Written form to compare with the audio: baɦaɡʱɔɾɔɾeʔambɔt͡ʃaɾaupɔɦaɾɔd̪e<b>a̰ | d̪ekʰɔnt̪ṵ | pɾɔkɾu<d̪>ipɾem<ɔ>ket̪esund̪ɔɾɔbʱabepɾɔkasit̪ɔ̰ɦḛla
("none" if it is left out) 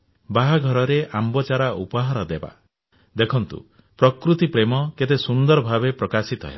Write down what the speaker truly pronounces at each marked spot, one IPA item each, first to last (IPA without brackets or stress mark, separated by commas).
b, t̪, ɔ